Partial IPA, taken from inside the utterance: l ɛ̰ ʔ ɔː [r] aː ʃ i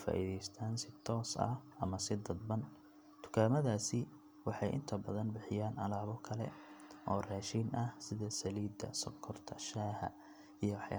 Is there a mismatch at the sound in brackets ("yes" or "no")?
no